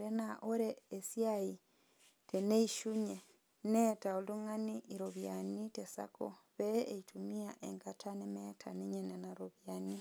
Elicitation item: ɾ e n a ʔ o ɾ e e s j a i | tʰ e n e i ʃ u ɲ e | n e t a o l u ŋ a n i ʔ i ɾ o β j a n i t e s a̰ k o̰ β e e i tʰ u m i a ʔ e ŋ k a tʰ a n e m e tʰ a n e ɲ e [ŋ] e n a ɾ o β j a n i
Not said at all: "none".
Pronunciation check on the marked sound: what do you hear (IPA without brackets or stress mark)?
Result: n